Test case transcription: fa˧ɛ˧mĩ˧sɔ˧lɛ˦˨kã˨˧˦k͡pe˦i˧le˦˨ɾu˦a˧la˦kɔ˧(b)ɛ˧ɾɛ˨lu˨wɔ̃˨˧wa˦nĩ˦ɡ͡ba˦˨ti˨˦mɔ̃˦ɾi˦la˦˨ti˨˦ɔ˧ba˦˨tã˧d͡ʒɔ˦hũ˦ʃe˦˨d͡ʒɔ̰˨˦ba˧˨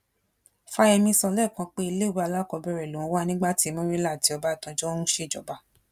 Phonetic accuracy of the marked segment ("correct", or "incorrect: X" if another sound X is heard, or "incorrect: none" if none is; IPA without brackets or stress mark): correct